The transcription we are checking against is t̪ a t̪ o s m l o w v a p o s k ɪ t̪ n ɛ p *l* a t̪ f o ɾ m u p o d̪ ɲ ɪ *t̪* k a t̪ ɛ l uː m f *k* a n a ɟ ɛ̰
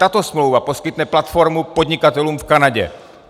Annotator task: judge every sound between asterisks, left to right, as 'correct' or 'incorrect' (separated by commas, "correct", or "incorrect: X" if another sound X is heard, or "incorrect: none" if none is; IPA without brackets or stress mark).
correct, incorrect: none, correct